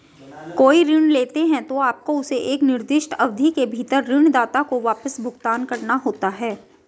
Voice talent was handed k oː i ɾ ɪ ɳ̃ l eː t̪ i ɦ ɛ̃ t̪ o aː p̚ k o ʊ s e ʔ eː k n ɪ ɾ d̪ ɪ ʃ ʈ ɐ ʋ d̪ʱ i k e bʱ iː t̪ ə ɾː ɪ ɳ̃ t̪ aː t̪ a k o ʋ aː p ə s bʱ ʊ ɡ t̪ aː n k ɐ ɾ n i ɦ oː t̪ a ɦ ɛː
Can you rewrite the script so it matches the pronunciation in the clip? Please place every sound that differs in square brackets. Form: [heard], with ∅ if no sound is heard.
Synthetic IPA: k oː i ɾ ɪ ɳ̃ l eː t̪ [e] ɦ ɛ̃ t̪ o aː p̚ k o ʊ s e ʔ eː k n ɪ ɾ d̪ ɪ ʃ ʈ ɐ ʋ d̪ʱ i k e bʱ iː t̪ ə ɾː ɪ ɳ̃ [d̪] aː t̪ a k o ʋ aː p ə s bʱ ʊ ɡ t̪ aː n k ɐ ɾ n [a] ɦ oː t̪ a ɦ ɛː